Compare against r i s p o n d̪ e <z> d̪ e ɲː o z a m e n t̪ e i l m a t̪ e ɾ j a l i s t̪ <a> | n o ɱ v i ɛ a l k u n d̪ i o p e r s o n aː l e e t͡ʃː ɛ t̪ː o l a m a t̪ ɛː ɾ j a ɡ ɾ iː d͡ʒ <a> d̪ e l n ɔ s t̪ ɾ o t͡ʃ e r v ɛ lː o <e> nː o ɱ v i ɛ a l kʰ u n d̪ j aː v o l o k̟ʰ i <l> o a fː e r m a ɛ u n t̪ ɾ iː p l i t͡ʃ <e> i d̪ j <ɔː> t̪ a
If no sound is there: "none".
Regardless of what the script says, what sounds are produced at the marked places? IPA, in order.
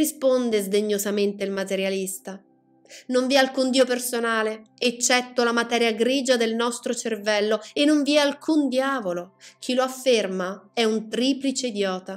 z, a, a, e, l, e, ɔː

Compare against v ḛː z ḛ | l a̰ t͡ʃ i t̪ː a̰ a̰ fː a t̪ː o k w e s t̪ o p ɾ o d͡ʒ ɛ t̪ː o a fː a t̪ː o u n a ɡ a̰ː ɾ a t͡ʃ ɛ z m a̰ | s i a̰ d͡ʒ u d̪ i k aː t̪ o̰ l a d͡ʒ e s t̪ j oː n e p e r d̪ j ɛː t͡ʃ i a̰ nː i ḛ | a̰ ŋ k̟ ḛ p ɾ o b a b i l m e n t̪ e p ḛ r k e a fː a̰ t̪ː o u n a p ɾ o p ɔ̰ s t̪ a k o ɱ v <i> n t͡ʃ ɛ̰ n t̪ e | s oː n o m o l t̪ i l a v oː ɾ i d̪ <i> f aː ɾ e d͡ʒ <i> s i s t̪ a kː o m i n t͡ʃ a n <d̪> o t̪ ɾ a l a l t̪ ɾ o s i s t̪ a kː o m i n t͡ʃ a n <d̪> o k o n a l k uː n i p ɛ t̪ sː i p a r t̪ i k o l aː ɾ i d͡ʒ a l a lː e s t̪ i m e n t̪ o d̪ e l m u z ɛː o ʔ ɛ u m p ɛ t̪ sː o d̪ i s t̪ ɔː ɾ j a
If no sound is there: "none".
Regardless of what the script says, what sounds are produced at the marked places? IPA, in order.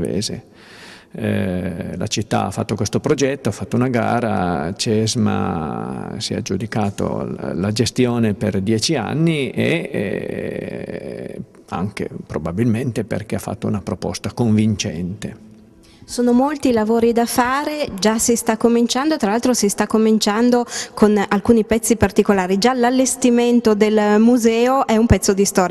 i, a, a, d̪, d̪

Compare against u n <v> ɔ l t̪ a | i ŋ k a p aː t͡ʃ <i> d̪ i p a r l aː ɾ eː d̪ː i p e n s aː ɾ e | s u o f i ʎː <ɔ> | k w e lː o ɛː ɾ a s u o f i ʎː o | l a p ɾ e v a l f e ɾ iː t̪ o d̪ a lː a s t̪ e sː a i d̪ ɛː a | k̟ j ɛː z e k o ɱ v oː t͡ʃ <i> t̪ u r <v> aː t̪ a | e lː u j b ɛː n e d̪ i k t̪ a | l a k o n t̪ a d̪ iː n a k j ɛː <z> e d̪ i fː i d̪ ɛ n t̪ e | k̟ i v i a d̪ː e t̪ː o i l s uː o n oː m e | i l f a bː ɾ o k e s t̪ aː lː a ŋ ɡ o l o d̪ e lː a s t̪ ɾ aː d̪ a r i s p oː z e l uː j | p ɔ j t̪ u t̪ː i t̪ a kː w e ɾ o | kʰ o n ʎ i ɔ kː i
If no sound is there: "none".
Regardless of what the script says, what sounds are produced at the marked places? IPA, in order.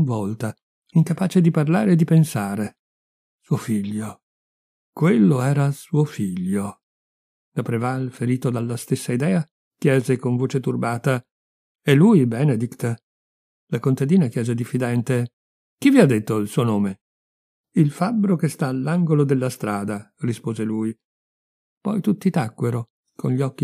v, e, o, e, b, z

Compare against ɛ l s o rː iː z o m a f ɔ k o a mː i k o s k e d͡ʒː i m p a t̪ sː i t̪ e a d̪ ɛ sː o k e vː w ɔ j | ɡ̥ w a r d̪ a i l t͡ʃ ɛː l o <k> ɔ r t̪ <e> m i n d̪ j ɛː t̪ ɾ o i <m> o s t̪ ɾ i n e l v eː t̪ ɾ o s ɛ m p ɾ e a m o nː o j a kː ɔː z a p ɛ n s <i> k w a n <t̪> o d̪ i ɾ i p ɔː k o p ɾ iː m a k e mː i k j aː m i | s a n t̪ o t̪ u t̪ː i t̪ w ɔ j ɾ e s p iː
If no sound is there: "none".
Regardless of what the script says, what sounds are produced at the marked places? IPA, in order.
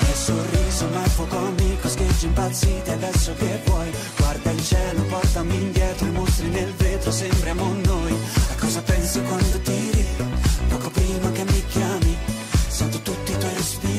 p, a, m, i, d̪

